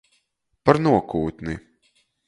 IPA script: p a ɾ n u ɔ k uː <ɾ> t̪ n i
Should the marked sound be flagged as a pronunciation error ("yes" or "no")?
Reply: yes